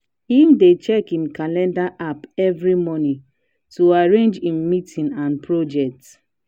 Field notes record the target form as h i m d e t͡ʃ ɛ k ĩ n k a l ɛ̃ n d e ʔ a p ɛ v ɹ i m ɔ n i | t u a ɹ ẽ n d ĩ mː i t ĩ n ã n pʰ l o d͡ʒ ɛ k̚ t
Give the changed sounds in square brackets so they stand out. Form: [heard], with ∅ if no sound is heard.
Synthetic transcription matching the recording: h i m d e t͡ʃ ɛ k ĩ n k a l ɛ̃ n d [a] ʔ a p ɛ v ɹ i m ɔ n i | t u a ɹ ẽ n [d͡ʒ] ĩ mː i t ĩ n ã n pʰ [ɹ] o d͡ʒ ɛ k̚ t